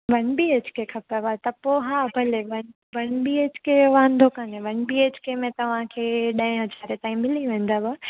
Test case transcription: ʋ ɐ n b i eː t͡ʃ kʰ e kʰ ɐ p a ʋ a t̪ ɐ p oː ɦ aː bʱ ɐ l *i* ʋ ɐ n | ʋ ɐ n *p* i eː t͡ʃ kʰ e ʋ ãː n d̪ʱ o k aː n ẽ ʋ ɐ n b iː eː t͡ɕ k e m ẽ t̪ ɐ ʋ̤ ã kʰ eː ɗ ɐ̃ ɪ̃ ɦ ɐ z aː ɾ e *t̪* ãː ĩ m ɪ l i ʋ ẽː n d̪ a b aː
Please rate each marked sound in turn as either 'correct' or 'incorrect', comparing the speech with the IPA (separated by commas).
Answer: incorrect, incorrect, correct